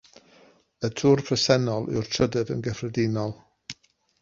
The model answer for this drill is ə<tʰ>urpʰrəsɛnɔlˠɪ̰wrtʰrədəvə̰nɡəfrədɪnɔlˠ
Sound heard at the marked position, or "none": tʰ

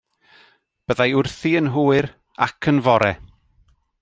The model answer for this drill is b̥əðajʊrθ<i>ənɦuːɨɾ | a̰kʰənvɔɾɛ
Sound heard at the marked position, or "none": i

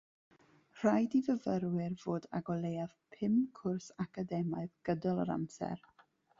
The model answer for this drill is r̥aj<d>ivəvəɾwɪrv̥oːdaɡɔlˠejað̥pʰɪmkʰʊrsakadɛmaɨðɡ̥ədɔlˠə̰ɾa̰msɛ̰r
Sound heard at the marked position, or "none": d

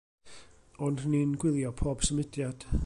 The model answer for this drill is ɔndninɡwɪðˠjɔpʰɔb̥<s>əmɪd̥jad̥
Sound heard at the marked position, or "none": s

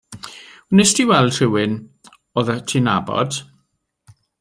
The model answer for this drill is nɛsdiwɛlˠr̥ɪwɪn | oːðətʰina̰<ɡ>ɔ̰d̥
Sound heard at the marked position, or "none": b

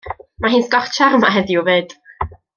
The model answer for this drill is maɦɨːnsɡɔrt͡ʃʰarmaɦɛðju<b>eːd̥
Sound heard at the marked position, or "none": v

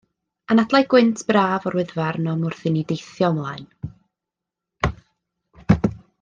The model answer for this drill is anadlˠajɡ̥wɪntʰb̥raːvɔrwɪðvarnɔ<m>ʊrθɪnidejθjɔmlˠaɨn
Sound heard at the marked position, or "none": m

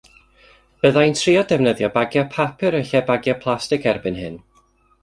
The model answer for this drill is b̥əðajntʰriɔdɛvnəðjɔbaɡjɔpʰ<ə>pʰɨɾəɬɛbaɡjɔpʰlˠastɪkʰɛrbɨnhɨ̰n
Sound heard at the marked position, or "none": a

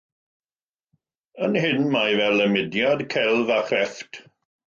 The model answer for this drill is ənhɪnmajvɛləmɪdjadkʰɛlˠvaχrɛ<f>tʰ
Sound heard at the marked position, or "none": f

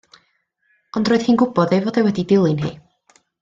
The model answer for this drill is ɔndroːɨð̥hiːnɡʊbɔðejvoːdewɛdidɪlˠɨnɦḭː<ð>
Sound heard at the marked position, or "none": none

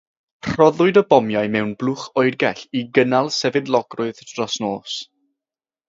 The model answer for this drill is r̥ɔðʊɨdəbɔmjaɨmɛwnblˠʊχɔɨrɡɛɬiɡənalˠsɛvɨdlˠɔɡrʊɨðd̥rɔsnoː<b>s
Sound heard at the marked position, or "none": none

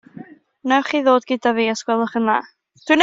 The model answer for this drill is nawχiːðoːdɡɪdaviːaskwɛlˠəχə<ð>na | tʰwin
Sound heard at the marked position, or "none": none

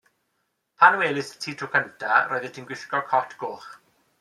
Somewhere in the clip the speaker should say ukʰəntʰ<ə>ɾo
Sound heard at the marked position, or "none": a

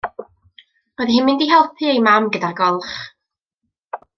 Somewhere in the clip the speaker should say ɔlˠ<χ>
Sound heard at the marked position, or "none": χ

